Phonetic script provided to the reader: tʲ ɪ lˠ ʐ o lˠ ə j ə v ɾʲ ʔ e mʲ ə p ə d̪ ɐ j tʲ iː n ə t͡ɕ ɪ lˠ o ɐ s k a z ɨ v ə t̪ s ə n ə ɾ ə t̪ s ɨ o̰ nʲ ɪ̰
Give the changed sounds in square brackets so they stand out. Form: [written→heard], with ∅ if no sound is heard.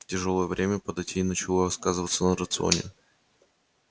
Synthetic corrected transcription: tʲ ɪ [lˠ→∅] ʐ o lˠ ə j ə v ɾʲ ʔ e mʲ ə p ə d̪ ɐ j tʲ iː n ə t͡ɕ ɪ lˠ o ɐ s k a z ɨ v ə t̪ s ə n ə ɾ ə t̪ s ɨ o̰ nʲ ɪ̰